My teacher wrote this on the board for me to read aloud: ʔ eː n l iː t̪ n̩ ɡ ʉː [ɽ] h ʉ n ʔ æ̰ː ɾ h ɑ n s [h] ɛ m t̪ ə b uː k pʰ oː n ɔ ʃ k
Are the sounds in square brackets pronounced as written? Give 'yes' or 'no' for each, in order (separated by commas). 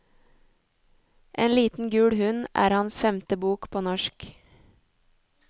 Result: yes, no